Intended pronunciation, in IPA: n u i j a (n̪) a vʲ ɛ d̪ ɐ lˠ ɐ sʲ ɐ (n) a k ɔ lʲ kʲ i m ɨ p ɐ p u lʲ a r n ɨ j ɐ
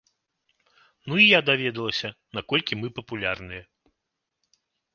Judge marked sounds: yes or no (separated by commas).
no, yes